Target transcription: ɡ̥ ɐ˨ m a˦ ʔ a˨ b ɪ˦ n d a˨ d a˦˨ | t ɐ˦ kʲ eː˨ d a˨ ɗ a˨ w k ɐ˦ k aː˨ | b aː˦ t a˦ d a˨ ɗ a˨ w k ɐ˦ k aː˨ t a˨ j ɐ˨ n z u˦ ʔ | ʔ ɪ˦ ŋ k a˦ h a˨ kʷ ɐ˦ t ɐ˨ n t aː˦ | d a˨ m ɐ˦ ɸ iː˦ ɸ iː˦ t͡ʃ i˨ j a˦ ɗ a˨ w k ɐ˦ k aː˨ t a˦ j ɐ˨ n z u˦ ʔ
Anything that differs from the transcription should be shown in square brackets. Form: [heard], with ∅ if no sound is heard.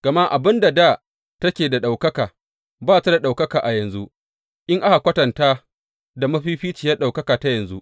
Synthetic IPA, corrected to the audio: ɡ̥ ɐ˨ m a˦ ʔ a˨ b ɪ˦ n d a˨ d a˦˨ | t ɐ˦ kʲ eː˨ d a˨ ɗ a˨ w k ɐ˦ k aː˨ | b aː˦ t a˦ d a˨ ɗ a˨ w k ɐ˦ k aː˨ [ʔ] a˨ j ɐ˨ n z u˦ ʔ | ʔ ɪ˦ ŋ [ʔ] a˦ h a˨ kʷ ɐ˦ t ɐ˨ n t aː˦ | d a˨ m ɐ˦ ɸ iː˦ ɸ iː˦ t͡ʃ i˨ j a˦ ɗ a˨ w k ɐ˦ k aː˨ t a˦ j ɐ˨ n z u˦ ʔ

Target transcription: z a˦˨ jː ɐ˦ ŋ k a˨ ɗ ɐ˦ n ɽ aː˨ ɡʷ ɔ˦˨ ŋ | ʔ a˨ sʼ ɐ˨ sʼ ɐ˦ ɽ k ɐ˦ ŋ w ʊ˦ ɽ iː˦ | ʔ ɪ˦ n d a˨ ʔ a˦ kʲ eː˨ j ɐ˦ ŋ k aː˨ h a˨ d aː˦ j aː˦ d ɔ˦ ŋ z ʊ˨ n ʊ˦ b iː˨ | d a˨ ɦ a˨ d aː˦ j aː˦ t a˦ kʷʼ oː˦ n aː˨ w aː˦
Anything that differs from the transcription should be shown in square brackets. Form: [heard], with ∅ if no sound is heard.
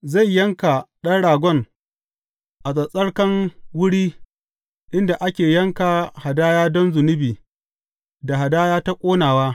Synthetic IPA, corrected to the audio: z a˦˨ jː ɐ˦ ŋ k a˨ ɗ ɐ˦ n ɽ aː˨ ɡʷ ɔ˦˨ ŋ | ʔ a˨ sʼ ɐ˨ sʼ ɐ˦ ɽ k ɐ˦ ŋ w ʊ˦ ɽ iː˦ | ʔ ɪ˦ n d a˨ ʔ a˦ kʲ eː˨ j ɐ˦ ŋ k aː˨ h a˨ d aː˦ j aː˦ d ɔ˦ [n] z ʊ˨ n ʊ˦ b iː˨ | d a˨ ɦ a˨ d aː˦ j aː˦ t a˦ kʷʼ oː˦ n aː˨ w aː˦

